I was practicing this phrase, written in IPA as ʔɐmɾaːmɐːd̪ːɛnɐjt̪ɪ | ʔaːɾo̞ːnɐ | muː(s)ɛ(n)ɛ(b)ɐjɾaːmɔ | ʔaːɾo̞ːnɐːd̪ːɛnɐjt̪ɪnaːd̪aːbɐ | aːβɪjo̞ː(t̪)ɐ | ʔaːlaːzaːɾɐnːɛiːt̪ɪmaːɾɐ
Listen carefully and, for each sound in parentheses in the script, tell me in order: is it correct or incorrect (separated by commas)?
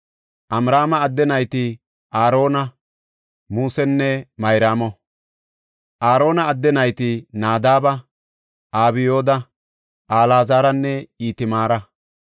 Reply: correct, incorrect, incorrect, incorrect